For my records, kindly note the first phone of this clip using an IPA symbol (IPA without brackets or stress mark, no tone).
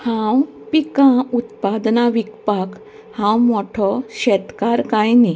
h